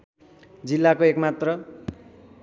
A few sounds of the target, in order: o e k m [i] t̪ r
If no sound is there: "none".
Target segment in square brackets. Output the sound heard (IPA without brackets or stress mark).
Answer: a